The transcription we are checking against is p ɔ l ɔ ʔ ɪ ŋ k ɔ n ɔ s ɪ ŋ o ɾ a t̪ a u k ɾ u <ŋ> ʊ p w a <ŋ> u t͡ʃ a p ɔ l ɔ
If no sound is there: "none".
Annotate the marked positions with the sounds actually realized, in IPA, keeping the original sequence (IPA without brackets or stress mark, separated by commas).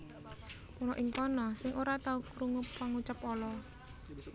ŋ, ŋ